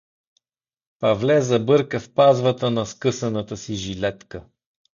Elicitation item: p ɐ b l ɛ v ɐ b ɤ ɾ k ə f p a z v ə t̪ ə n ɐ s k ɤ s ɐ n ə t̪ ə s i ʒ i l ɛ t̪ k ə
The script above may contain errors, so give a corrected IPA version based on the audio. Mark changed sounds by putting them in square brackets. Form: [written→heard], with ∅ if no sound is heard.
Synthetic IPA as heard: p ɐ [b→v] l ɛ [v→z] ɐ b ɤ ɾ k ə f p a z v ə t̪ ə n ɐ s k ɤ s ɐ n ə t̪ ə s i ʒ i l ɛ t̪ k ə